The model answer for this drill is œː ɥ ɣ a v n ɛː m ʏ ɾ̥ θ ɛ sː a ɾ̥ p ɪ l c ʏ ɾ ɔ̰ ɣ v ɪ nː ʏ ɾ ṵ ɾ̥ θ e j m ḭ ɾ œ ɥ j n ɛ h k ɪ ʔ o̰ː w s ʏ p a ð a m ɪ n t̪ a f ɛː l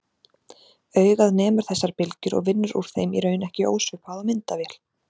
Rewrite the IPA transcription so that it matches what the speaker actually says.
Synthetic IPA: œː ɥ ɣ a ð n ɛː m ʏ ɾ̥ θ ɛ sː a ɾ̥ p ɪ l c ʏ ɾ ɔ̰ ɣ v ɪ nː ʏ ɾ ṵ ɾ̥ θ e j m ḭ ɾ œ ɥ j n ɛ h c ɪ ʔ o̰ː w s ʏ p a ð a m ɪ n t̪ a v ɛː l